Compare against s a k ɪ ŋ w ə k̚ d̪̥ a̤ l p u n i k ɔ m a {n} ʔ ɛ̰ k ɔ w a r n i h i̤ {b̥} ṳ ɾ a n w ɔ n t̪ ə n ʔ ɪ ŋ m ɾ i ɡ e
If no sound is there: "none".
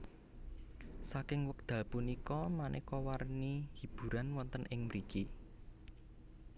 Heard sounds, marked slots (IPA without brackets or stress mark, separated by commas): n, b̥